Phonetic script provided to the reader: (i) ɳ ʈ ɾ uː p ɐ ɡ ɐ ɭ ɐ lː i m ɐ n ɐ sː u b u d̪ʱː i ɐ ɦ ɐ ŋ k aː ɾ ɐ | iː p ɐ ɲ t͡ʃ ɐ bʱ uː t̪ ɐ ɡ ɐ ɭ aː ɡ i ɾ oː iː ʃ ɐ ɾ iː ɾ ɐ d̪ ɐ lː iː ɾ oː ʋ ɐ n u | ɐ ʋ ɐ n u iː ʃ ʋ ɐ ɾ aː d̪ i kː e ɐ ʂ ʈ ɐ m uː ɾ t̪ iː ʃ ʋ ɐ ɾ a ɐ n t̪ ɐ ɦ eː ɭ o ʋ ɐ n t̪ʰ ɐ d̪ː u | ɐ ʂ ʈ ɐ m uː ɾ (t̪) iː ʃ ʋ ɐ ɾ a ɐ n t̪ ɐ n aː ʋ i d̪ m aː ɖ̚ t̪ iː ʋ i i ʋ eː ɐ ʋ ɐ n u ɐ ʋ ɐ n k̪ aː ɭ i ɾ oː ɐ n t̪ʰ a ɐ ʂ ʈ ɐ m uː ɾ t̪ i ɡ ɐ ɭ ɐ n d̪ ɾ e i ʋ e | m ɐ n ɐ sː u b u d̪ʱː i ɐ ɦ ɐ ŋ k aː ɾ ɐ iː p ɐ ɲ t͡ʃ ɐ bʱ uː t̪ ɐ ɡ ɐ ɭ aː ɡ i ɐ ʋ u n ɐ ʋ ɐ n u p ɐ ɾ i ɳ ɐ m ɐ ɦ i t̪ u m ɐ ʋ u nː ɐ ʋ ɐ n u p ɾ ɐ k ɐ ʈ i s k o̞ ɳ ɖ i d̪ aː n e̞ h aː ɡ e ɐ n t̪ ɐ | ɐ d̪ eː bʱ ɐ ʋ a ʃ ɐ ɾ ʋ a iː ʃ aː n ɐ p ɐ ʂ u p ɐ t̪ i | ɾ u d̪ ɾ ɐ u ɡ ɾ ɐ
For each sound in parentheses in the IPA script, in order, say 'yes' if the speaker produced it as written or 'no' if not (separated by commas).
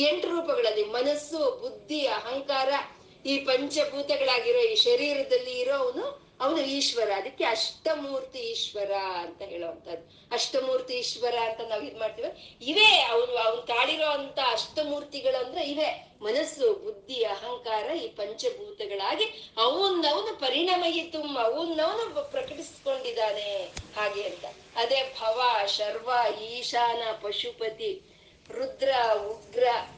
no, yes